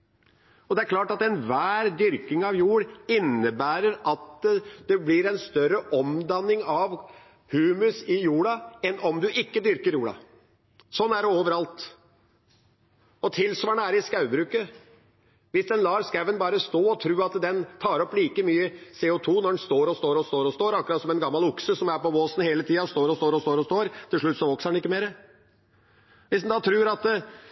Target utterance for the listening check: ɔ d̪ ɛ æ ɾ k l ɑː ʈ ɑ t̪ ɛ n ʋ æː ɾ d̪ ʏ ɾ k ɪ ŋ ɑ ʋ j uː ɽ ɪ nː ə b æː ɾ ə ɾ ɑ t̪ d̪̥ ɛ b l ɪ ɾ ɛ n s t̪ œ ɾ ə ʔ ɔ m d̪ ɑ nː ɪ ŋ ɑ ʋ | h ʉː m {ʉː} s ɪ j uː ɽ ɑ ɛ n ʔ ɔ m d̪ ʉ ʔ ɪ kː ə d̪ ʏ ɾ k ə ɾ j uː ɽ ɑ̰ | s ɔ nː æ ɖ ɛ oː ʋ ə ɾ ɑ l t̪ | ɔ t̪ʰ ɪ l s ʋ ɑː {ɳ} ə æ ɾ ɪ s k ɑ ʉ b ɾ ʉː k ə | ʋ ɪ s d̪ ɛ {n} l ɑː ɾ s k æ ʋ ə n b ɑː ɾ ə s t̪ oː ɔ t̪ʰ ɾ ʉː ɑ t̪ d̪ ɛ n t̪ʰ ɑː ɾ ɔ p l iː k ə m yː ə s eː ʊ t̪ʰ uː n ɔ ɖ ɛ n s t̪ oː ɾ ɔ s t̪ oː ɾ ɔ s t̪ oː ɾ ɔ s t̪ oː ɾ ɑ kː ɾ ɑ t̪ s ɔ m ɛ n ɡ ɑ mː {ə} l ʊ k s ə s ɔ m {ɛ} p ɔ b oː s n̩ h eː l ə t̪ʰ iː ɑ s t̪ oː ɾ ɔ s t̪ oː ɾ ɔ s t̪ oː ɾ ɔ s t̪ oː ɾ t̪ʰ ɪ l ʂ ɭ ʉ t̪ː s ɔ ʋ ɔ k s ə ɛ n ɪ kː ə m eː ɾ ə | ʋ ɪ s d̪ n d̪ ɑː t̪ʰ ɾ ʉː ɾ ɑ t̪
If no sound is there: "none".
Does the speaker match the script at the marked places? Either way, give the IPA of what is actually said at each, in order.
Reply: ʉ, ɳ, n, ɑ, æ

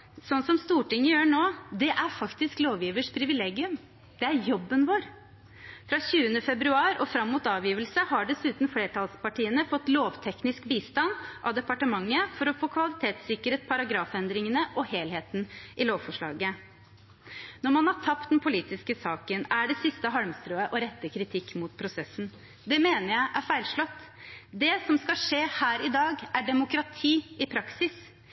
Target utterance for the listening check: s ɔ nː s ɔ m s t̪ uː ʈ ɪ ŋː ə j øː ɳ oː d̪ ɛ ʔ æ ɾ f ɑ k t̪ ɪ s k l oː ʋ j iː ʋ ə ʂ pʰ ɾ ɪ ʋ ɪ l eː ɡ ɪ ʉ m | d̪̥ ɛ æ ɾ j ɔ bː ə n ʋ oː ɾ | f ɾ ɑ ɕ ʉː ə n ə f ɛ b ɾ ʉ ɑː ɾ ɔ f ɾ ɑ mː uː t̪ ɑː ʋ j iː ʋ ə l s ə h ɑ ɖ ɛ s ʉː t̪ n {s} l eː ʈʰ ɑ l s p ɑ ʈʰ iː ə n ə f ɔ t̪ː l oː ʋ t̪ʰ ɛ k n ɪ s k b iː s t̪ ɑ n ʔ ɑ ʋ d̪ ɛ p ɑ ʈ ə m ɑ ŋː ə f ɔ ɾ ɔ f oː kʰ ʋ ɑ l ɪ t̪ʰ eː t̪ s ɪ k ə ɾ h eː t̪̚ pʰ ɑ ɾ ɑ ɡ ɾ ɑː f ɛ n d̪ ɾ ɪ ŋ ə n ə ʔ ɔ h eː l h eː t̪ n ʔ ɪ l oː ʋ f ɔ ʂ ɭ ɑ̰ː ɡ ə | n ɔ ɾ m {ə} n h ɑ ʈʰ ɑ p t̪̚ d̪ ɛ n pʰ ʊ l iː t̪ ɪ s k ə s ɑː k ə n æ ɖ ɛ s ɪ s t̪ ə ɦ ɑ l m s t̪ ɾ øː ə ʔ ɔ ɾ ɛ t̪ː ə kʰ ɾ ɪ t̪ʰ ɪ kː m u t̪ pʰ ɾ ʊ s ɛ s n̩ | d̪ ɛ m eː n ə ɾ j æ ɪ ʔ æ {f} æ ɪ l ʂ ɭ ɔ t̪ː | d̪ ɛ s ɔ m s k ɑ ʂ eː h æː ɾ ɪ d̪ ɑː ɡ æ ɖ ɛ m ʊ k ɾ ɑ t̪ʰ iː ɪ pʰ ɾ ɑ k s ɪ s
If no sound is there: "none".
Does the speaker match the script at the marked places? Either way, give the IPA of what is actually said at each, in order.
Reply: f, ɑ, f

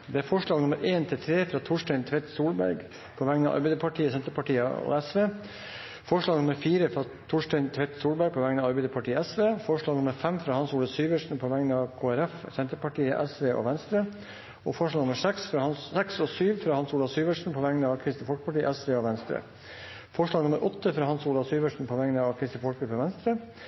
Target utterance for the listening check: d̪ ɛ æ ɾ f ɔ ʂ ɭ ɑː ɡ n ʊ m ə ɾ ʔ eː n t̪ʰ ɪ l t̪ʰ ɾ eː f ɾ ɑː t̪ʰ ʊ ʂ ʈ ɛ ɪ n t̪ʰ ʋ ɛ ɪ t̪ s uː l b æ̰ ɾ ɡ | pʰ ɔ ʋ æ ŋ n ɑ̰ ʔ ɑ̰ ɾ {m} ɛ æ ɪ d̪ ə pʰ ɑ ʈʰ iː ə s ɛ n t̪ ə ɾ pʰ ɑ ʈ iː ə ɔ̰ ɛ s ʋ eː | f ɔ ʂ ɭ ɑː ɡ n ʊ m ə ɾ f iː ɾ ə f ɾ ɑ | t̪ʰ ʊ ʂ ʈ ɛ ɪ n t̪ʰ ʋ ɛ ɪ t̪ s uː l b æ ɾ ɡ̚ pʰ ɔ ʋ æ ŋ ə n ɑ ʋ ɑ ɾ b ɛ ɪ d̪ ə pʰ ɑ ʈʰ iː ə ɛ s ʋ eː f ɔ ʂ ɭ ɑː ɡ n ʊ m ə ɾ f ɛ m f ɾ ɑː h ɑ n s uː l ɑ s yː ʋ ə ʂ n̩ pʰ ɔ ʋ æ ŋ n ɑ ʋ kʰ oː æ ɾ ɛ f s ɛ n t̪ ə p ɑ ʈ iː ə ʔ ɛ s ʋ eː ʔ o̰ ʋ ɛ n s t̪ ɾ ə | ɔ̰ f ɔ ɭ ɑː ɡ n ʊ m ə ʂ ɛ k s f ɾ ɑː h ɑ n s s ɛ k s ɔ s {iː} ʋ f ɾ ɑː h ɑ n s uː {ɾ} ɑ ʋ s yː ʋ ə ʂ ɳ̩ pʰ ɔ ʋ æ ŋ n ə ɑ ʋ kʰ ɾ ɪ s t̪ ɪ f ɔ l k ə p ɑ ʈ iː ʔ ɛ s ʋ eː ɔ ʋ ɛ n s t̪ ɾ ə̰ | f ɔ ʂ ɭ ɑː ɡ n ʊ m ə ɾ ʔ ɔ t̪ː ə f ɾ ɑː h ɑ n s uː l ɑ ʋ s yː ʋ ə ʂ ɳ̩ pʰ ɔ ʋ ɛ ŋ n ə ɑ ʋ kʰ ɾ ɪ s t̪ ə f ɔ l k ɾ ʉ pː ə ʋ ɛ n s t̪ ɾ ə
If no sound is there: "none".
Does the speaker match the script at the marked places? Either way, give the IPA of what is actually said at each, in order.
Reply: b, yː, l

